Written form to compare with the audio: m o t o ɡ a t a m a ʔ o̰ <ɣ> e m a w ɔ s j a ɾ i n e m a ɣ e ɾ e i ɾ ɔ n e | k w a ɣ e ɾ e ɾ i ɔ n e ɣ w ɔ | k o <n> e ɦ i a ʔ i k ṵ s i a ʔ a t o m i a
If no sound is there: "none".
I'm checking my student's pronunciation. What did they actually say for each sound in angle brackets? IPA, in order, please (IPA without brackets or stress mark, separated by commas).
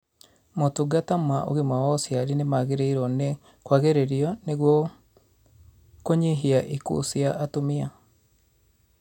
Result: ɣ, ɲ